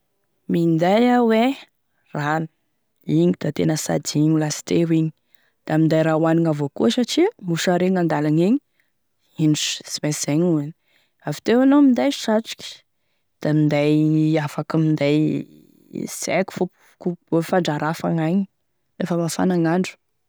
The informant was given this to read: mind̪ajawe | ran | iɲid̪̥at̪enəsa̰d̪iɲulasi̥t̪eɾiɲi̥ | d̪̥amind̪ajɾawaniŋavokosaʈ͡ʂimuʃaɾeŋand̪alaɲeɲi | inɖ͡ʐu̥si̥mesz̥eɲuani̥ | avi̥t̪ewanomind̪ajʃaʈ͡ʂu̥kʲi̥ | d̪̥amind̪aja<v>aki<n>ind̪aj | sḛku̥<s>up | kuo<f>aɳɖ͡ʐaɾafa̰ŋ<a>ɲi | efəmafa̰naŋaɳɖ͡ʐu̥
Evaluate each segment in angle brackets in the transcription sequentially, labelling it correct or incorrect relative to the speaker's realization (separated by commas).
incorrect, incorrect, incorrect, correct, correct